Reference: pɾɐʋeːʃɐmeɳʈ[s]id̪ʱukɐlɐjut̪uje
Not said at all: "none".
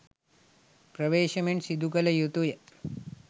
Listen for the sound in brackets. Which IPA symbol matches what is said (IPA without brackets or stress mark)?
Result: s